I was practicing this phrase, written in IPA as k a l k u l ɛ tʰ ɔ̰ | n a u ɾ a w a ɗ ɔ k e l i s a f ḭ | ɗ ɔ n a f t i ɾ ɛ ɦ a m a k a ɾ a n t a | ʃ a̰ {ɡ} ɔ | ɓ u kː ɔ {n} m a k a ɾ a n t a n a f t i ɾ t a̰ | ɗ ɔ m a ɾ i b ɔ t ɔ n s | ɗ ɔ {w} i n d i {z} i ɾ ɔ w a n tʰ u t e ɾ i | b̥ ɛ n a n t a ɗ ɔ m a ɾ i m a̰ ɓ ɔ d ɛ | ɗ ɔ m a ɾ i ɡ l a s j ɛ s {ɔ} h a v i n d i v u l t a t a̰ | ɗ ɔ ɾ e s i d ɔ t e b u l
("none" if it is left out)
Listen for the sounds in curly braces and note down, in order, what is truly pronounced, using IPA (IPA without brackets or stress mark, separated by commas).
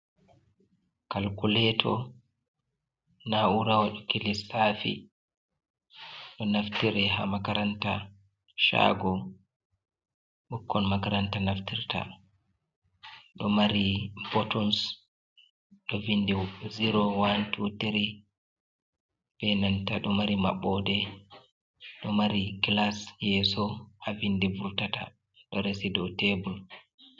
ɡ, n, v, z, ɔ